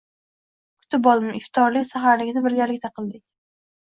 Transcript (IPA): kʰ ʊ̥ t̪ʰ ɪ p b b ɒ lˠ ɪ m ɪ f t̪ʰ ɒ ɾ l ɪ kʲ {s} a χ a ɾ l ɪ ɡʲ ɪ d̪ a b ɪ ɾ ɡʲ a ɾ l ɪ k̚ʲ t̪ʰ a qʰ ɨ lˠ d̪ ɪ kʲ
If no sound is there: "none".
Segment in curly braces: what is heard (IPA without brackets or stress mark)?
s